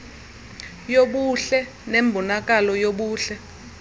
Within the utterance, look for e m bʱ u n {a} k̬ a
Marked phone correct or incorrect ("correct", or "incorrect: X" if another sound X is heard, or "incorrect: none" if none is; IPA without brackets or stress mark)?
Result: correct